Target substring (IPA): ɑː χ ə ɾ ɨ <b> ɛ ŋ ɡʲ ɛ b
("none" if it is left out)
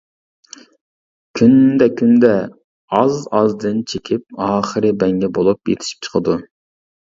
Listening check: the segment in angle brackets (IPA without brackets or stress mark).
b